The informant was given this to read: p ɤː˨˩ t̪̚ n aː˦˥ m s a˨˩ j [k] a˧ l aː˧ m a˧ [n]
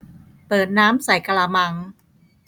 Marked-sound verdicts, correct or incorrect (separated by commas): correct, incorrect